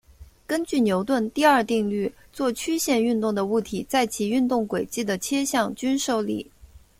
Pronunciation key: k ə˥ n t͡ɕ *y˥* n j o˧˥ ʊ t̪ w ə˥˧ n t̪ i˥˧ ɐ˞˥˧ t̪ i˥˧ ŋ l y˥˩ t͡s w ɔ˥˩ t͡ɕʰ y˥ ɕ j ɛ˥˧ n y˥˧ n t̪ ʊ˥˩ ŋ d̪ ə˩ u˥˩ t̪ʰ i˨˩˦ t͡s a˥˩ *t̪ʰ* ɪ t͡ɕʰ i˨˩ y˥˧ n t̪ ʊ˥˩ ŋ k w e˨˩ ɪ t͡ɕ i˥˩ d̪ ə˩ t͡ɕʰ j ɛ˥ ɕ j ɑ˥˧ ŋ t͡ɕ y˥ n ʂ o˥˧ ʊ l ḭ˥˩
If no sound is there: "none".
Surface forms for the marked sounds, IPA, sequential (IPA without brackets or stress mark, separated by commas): y˥˩, none